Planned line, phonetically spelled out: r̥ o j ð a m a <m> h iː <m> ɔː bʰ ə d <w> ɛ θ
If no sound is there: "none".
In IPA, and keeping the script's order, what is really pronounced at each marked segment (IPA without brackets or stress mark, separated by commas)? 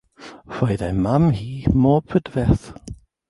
m, m, v